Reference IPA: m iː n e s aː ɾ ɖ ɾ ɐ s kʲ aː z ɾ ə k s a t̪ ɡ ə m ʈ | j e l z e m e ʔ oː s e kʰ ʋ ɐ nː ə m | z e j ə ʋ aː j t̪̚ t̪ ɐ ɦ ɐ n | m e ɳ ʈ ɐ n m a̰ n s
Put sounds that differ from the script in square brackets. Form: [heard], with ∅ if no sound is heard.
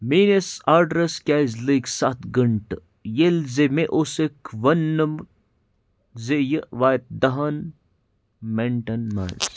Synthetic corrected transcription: m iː n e s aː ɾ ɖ ɾ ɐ s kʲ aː z [l] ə k s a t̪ ɡ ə [ɳ] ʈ | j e l z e m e ʔ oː s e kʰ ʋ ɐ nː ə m | z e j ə ʋ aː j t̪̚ [d̪] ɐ ɦ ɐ n | m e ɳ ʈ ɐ n m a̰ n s